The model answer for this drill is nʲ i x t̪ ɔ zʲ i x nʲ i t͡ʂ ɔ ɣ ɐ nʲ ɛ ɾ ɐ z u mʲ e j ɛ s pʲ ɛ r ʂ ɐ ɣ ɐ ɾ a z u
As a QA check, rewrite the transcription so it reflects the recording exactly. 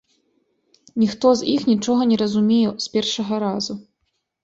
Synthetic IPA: nʲ i x t̪ ɔ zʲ i x nʲ i t͡ʂ ɔ ɣ ɐ nʲ ɛ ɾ ɐ z u mʲ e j ɛ s pʲ ɛ r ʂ ɐ ɣ ɐ ɾ a z u